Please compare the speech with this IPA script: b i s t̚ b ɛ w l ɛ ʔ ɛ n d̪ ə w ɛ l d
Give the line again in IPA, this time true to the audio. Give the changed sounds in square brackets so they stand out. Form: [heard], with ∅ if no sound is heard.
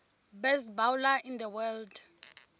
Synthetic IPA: b [ɛ] s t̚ b [a] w l [a] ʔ [i] n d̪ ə w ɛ l d